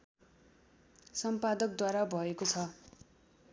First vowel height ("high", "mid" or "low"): mid